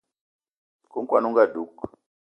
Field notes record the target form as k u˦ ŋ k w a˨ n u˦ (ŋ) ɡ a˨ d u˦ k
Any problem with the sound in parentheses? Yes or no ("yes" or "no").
no